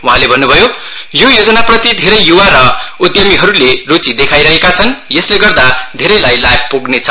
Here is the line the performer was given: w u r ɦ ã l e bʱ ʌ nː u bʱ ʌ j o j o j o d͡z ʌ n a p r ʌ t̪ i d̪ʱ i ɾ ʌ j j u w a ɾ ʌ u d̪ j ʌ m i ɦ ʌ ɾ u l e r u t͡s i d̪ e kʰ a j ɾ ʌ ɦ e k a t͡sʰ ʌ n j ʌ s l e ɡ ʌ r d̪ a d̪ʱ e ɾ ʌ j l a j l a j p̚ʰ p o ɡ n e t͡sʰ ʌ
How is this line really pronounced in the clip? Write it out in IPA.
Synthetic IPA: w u ɦ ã l e bʱ ʌ nː u bʱ ʌ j o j o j o d͡z ʌ n a p r ʌ t̪ i d̪ʱ e ɾ ʌ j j u w a ɾ ʌ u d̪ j ʌ m i ɦ ʌ ɾ u l e r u t͡s i d̪ e kʰ a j ɾ ʌ ɦ e k a t͡sʰ ʌ n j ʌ s l e ɡ ʌ r d̪ a d̪ʱ e ɾ ʌ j l a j l a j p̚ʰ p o ɡ n e t͡sʰ ʌ